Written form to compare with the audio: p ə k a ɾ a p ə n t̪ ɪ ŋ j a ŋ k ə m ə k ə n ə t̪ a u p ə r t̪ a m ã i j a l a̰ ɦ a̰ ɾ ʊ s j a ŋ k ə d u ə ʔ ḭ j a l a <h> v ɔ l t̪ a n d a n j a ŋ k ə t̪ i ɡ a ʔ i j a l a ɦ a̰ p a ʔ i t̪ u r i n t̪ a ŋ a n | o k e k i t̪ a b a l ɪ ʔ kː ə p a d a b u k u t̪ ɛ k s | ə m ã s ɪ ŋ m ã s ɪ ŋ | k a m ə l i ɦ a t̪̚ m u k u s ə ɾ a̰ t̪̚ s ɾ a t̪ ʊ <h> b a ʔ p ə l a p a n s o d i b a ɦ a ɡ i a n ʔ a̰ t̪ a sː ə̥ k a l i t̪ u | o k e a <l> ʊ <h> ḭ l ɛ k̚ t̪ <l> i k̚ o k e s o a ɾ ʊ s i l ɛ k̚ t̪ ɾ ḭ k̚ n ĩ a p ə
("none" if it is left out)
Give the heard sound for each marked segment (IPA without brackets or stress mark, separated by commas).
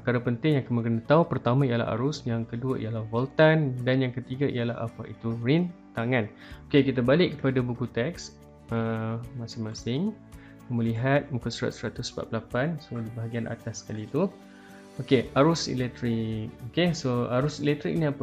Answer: h, s, ɾ, s, ɾ